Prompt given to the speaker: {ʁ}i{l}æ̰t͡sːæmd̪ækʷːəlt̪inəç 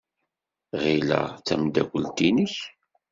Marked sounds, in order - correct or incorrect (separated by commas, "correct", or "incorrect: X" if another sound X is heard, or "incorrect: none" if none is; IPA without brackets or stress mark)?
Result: correct, correct